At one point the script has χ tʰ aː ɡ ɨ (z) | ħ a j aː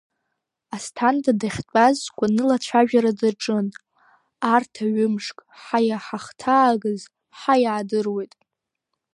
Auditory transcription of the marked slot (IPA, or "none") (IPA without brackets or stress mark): z